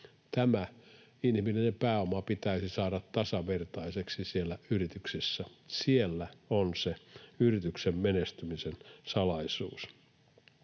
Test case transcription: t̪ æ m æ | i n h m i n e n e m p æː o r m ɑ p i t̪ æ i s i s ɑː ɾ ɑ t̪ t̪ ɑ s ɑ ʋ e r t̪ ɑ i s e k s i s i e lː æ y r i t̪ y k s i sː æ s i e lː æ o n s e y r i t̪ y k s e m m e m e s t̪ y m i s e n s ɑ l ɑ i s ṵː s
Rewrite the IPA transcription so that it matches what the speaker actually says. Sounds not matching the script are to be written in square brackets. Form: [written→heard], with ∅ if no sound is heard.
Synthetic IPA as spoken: t̪ æ m æ | i n h m i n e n e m p æː o [r→∅] m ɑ p i t̪ æ i s i s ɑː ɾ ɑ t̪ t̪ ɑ s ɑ ʋ e r t̪ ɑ i s e k s i s i e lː æ y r i t̪ y k s i sː æ s i e lː æ o n s e y r i t̪ y k s e m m e [m→n] e s t̪ y m i s e n s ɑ l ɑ i s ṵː s